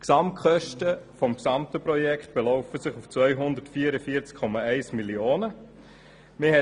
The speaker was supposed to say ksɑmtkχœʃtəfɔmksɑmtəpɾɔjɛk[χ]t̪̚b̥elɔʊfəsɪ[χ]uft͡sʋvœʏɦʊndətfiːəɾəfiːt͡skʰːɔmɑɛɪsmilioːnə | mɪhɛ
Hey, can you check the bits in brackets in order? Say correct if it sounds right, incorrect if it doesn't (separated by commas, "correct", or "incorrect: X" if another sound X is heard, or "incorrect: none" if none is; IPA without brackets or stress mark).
correct, correct